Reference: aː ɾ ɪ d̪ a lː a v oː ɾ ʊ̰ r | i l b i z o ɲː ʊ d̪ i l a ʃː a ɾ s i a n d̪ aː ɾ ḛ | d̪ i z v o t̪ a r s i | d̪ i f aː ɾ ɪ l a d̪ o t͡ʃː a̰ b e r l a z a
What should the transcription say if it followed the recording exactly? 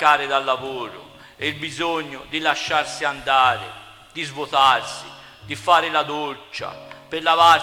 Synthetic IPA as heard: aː ɾ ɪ d̪ a lː a v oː ɾ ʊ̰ | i l b i z o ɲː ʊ d̪ i l a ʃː a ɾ s i a n d̪ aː ɾ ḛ | d̪ i z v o t̪ a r s i | d̪ i f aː ɾ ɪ l a d̪ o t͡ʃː a̰ p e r l a v a